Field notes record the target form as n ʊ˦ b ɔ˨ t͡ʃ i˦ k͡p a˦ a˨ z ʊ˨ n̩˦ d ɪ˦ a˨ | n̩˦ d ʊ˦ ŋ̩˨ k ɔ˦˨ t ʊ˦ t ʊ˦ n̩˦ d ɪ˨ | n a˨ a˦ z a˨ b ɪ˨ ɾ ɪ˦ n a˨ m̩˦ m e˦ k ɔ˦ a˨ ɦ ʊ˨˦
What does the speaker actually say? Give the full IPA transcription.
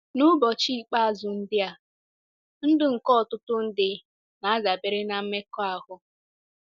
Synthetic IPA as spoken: n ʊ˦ b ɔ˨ t͡ʃ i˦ k͡p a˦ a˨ z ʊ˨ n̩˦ d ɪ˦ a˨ | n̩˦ d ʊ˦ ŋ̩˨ k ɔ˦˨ t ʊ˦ t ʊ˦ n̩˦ d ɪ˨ | n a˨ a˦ z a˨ b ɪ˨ ɾ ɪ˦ n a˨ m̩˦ m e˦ k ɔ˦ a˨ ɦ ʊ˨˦